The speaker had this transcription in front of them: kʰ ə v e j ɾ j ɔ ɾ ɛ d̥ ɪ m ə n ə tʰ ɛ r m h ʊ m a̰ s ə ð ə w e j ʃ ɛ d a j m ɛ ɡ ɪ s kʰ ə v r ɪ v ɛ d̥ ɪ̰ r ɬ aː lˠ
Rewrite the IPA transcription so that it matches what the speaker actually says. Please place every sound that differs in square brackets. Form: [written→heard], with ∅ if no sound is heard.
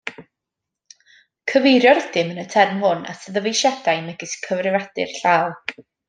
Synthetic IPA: kʰ ə v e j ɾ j ɔ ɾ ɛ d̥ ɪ m ə n ə tʰ ɛ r m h ʊ [m→n] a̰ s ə ð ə [w→v] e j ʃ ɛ d a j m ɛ ɡ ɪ s kʰ ə v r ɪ v [ɛ→a] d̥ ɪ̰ r ɬ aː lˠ